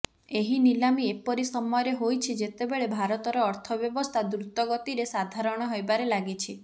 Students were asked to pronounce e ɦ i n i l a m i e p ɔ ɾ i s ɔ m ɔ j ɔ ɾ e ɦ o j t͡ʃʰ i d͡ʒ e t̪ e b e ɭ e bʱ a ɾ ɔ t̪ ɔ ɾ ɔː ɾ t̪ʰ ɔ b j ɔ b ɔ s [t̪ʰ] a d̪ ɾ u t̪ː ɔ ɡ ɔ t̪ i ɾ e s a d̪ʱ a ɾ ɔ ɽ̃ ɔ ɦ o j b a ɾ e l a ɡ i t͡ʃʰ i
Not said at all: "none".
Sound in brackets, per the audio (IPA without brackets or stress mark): t̪ʰ